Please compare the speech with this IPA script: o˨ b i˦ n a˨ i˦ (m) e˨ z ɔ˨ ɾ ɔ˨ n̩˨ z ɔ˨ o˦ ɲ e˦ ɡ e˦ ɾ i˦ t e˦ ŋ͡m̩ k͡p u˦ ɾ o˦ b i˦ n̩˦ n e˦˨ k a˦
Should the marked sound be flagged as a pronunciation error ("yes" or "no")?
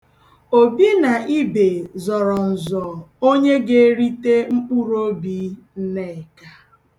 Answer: yes